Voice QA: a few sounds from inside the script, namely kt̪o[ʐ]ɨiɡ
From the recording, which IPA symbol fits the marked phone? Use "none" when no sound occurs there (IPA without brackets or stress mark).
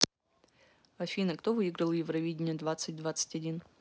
v